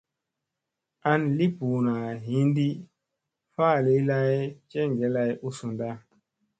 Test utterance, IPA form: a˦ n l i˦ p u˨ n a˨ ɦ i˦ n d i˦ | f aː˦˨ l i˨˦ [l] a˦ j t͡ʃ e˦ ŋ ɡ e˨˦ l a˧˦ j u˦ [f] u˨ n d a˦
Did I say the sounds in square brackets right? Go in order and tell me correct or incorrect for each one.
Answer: correct, incorrect: s

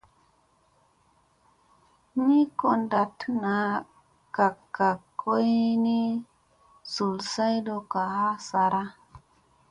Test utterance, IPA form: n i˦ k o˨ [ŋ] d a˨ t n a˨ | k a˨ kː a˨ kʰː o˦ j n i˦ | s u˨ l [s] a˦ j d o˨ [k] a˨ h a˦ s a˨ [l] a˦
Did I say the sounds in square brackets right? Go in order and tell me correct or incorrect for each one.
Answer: incorrect: n, correct, correct, incorrect: ɾ

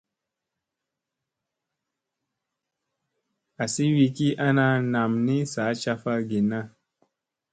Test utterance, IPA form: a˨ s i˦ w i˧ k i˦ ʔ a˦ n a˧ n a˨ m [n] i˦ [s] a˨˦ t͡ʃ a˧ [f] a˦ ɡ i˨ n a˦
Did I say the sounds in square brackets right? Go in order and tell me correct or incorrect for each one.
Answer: correct, correct, correct

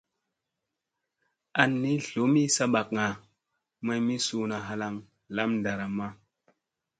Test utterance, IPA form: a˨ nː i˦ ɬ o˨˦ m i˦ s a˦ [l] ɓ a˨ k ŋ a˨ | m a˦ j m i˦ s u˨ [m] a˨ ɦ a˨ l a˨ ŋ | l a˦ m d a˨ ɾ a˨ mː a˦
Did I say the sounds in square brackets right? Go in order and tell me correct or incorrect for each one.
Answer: incorrect: none, incorrect: n

